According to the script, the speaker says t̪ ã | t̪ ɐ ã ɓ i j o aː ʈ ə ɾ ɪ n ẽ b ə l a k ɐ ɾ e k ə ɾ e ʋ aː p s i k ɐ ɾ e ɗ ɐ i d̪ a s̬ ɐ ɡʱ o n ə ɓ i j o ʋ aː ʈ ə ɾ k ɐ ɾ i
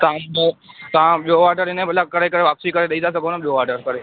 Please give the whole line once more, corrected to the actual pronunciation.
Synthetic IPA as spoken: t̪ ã | t̪ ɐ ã ɓ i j o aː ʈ ə ɾ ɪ n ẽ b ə l a k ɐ ɾ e k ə ɾ e ʋ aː p s i k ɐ ɾ e ɗ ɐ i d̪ a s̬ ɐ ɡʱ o n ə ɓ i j o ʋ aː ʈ ə ɾ k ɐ ɾ e